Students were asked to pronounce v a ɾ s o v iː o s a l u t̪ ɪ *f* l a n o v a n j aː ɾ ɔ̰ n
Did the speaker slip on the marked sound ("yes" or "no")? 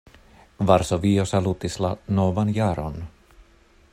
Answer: yes